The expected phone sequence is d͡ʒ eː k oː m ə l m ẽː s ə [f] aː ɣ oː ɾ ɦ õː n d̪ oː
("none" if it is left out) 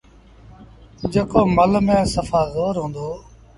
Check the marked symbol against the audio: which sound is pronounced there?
f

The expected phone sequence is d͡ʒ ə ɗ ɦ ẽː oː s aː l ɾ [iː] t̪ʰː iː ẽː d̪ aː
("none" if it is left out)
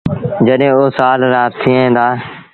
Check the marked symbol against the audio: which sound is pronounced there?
aː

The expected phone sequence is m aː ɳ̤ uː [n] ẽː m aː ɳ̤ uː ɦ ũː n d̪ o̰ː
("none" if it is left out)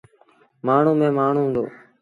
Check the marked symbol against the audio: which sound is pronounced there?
m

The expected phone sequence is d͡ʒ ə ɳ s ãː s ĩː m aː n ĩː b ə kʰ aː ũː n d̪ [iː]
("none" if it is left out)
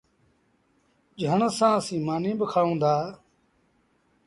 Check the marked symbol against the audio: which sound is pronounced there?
aː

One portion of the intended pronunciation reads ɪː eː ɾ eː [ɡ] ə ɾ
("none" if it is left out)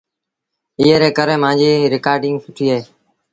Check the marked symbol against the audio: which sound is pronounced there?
k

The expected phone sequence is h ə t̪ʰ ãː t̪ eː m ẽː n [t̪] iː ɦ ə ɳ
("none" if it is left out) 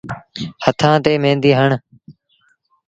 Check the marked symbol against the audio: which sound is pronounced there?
d̪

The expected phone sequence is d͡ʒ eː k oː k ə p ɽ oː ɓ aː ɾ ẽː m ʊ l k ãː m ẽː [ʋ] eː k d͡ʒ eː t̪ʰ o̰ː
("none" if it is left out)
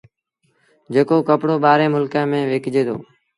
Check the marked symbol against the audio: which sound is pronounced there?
ʋ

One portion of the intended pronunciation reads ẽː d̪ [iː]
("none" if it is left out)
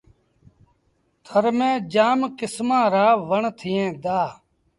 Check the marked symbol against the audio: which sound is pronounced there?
aː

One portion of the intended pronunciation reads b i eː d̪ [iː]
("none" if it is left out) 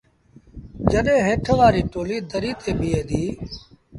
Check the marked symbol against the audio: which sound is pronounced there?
iː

